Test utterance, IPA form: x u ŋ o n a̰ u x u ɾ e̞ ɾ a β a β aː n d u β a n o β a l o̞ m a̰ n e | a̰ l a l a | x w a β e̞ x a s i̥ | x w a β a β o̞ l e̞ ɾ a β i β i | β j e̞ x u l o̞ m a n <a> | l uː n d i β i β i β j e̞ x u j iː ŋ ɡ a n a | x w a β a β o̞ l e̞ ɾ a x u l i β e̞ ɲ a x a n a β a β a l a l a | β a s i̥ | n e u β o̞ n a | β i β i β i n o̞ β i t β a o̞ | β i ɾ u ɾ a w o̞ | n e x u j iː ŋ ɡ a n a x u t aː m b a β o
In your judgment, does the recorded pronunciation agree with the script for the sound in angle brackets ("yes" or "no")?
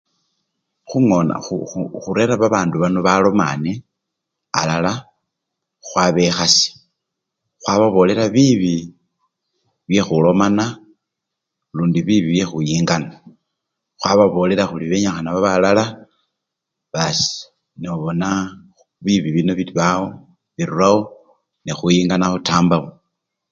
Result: yes